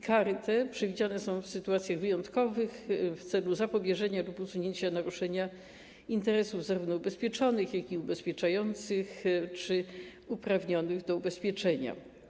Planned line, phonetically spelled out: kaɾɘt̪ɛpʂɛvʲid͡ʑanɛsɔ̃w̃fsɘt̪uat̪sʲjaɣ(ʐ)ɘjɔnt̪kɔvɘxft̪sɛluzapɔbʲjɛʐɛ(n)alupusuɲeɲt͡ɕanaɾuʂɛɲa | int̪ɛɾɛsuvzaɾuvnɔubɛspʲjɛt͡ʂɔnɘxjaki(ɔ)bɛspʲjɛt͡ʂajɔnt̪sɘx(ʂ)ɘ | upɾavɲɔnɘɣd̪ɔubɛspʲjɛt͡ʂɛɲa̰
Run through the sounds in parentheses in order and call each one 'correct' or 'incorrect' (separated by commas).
incorrect, incorrect, incorrect, incorrect